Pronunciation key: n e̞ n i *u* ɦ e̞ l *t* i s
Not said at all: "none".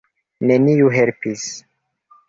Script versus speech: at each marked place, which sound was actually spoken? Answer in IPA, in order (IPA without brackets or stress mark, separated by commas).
u, p